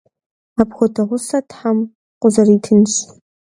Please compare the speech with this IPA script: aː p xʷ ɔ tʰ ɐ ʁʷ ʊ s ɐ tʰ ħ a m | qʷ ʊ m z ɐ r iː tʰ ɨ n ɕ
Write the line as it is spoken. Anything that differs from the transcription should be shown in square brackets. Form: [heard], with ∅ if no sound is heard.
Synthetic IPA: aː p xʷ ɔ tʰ ɐ ʁʷ ʊ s ɐ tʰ ħ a m | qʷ ʊ [∅] z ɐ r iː tʰ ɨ n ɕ